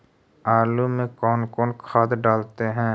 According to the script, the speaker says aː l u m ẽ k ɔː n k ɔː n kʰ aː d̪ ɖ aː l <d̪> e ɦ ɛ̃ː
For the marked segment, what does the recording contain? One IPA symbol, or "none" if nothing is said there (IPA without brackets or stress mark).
t̪